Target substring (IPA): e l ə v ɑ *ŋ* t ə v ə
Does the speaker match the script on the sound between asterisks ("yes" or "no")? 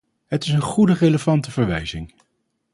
no